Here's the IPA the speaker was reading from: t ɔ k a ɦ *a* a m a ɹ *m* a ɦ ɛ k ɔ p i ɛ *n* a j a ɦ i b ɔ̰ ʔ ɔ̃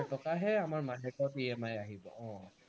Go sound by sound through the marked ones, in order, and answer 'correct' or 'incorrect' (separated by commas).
incorrect, correct, incorrect